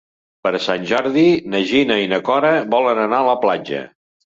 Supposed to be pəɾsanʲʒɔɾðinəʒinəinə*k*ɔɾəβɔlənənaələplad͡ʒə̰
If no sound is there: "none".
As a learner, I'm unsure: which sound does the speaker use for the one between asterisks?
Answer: k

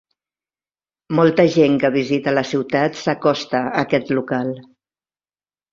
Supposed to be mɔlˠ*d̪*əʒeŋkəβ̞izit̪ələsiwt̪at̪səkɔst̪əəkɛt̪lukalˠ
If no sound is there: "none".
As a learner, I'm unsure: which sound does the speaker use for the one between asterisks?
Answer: t̪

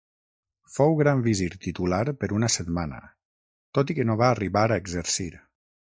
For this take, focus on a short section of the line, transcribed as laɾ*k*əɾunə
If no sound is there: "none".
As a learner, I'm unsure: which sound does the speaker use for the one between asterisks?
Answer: p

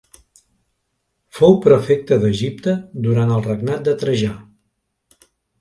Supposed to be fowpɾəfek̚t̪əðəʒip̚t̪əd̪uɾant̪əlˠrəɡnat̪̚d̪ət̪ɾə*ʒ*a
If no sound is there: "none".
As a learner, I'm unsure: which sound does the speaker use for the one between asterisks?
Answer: ʒ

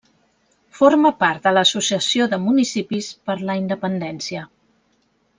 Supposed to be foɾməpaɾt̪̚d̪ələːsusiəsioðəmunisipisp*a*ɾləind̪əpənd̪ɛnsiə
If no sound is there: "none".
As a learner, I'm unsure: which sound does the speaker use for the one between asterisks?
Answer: ə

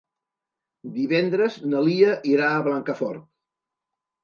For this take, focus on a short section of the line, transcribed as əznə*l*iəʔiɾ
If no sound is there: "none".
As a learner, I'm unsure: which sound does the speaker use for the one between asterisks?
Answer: l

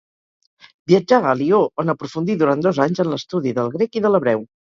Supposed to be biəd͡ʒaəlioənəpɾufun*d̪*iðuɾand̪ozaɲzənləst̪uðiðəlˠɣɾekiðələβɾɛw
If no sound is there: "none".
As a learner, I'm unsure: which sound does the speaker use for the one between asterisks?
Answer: d̪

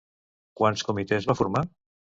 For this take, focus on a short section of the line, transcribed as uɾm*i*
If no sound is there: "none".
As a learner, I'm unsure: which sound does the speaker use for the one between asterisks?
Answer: a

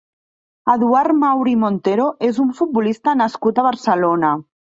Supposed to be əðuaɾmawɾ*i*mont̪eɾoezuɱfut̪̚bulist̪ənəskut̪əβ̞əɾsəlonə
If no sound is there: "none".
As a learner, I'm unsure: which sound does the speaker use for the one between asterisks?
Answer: i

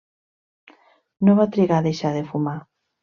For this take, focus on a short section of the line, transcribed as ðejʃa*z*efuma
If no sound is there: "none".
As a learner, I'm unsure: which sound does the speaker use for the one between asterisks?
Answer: ð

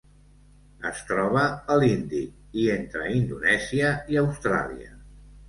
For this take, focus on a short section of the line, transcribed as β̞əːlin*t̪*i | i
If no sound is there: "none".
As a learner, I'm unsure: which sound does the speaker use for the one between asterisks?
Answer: d̪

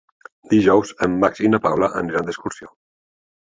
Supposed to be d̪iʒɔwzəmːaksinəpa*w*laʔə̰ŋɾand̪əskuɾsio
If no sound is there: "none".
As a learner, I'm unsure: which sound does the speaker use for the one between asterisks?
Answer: w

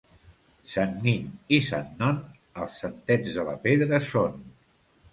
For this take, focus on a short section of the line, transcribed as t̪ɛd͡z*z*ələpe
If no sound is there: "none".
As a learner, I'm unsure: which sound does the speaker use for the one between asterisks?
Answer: ð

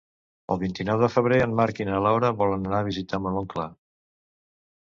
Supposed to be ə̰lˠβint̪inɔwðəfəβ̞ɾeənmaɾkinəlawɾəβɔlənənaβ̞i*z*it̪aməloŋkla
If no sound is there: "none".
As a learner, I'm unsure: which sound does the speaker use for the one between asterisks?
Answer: z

